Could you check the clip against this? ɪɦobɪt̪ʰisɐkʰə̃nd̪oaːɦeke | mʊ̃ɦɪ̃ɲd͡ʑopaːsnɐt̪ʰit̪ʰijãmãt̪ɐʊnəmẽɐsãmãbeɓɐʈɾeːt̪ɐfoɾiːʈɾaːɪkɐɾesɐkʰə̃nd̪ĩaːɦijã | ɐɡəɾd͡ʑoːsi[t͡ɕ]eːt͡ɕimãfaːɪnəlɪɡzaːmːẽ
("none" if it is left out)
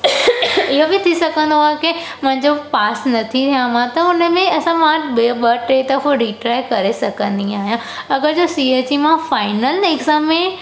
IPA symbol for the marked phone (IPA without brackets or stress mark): none